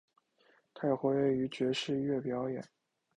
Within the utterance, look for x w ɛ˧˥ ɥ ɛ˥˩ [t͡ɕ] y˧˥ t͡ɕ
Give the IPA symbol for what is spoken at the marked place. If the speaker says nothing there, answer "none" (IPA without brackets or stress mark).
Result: none